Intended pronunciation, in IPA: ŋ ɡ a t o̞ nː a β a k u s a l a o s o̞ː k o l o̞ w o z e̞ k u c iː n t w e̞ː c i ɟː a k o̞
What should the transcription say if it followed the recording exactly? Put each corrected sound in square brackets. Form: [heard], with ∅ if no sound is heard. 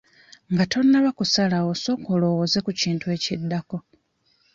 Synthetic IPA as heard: ŋ ɡ a t o̞ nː a β a k u s a l a o s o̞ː k o l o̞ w o z e̞ k u c iː n t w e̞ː c i [dː] a k o̞